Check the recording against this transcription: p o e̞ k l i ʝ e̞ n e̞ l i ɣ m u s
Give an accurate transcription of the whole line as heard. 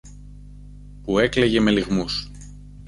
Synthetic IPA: p u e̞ k l e ʝ e̞ m e̞ l i ɣ m u s